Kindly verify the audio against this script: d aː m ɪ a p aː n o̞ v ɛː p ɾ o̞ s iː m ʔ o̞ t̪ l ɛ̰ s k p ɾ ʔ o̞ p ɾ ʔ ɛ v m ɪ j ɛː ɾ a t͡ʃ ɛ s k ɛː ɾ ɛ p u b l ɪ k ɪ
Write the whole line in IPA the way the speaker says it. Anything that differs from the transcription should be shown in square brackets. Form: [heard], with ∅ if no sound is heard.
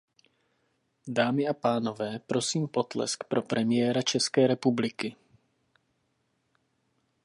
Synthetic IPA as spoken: d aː m ɪ a p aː n o̞ v ɛː p ɾ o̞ s iː m [p] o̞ t̪ l ɛ̰ s k p ɾ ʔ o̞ p ɾ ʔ ɛ [∅] m ɪ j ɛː ɾ a t͡ʃ ɛ s k ɛː ɾ ɛ p u b l ɪ k ɪ